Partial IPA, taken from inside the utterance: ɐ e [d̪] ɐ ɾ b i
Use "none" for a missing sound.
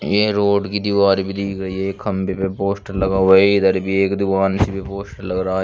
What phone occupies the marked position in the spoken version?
d̪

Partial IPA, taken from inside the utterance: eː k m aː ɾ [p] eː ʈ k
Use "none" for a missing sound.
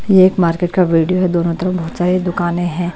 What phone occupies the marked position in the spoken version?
k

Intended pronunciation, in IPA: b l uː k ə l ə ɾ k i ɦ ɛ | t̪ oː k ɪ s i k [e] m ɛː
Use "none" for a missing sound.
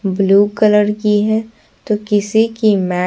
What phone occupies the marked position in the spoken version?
i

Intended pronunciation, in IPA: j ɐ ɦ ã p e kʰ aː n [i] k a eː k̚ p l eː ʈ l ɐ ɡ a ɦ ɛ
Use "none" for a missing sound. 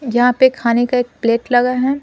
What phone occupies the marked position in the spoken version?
e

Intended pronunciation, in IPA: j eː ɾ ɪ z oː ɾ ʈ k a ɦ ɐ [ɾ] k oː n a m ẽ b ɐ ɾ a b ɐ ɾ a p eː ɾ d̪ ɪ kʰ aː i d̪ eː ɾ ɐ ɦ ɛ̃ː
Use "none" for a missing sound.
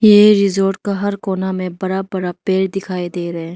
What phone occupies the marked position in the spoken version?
ɾ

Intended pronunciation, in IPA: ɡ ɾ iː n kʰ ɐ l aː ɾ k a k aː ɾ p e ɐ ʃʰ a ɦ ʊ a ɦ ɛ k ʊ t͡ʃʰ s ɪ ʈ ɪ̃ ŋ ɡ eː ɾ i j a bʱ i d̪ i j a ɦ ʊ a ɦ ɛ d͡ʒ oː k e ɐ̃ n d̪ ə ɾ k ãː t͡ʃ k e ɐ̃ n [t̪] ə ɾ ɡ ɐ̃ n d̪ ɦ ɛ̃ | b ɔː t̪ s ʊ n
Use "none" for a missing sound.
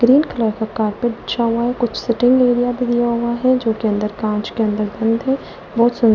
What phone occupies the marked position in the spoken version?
d̪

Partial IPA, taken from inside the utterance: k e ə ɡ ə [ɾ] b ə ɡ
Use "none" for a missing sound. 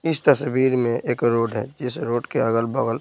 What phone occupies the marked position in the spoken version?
l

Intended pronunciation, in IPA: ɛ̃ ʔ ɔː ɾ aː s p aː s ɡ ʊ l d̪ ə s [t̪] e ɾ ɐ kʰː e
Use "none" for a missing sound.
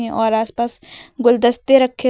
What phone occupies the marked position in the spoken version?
t̪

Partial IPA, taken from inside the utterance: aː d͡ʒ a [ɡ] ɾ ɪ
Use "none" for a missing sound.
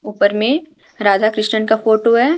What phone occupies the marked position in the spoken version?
k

